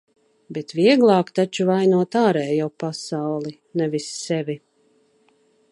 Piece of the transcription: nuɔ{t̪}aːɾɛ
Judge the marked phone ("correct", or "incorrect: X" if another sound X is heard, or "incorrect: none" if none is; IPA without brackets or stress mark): correct